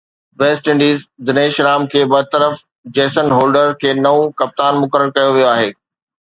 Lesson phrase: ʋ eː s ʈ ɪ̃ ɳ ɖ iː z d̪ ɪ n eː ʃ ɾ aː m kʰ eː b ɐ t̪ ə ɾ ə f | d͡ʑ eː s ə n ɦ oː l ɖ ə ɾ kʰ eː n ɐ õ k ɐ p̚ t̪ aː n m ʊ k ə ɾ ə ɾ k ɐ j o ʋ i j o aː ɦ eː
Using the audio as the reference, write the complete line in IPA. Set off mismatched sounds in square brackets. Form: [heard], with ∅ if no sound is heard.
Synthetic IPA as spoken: ʋ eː s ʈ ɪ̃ ɳ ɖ iː z d̪ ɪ n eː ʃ ɾ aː m kʰ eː b ɐ t̪ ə ɾ ə f | d͡ʑ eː s ə n ɦ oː l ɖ ə ɾ kʰ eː n ɐ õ k ɐ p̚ t̪ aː n m ʊ k ə ɾ ə ɾ k ɐ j o ʋ i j o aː ɦ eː